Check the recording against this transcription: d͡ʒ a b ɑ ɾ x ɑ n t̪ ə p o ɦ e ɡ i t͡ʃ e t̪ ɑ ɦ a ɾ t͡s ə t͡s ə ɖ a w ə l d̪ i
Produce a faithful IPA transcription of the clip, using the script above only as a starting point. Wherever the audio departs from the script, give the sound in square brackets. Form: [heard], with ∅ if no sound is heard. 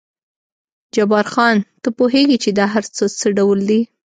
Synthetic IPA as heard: d͡ʒ a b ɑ ɾ x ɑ n t̪ ə p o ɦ e ɡ i t͡ʃ e [d̪] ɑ ɦ a ɾ t͡s ə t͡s ə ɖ a w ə l d̪ i